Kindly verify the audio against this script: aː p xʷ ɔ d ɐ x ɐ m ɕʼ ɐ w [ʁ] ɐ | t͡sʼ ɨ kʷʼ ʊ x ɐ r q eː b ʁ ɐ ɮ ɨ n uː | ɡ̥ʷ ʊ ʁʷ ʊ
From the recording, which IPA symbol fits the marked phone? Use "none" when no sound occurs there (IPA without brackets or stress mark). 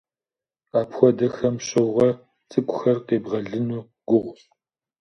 ʁ